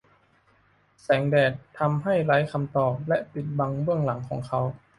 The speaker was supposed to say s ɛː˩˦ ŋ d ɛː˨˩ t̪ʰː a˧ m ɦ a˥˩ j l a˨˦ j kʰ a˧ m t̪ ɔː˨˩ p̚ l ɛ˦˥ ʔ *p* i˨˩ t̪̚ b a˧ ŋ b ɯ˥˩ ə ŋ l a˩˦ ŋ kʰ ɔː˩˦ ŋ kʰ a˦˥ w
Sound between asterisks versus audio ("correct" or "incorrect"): correct